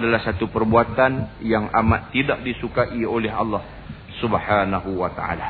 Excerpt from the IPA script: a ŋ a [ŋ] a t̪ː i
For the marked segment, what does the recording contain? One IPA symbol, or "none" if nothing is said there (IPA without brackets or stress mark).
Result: m